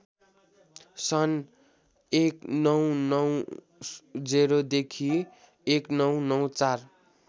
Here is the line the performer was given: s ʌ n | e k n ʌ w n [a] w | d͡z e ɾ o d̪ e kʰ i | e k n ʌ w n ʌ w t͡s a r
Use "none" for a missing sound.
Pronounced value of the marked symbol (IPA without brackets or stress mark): ʌ